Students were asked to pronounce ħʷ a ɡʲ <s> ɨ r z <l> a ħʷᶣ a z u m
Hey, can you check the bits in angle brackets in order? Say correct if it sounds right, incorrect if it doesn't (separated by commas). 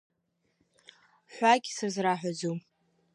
correct, incorrect